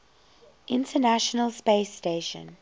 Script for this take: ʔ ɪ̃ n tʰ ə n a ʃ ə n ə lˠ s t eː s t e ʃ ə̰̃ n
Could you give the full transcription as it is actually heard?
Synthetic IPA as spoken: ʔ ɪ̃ n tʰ ə n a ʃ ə n ə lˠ s p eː s t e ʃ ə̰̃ n